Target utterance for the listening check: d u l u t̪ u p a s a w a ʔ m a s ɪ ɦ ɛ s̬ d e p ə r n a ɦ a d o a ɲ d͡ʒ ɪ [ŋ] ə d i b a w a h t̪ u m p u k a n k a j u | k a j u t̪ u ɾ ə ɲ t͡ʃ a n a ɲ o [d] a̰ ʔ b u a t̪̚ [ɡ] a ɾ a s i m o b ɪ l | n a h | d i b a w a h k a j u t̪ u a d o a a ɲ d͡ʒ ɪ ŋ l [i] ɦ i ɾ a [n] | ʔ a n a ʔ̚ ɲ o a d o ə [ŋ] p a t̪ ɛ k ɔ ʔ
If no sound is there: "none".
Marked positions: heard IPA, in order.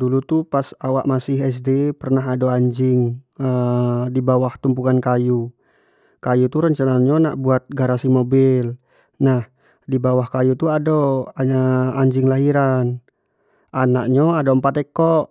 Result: ŋ, n, ɡ, a, n, m

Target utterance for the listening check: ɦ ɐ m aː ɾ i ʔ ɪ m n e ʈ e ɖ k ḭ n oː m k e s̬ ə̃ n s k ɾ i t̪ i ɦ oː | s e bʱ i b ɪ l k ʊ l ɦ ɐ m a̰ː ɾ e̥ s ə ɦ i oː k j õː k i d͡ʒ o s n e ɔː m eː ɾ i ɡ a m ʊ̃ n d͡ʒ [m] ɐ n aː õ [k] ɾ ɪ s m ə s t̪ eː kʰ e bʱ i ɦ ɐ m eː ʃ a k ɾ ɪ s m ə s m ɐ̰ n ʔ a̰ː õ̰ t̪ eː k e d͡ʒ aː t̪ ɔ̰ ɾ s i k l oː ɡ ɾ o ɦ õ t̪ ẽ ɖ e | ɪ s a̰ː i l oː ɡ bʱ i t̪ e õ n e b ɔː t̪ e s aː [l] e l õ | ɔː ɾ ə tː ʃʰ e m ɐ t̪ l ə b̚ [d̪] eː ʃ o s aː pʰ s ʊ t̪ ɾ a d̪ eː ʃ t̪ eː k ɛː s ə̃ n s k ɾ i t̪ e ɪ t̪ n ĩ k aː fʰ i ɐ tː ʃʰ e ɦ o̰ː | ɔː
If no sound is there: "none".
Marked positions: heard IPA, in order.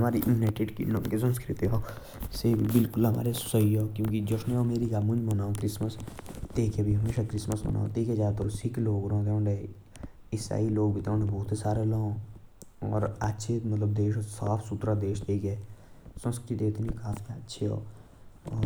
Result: m, k, ɾ, d̪

